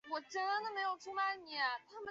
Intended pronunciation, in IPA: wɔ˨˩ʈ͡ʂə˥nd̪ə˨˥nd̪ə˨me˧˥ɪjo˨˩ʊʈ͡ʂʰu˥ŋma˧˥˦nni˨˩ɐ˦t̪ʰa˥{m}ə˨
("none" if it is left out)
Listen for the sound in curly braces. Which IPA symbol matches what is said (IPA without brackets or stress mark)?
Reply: m